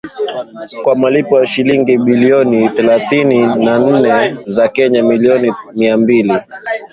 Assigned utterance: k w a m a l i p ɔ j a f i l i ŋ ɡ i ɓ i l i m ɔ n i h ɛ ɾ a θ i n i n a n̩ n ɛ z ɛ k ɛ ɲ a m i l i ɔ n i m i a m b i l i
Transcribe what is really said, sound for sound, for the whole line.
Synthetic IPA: k w a m a l i p ɔ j a ʃ i l i ŋ ɡ i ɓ i l i ɔ n i θ ɛ l a θ i n i n a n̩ n ɛ z a k ɛ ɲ a m i l i ɔ n i m i a m b i l i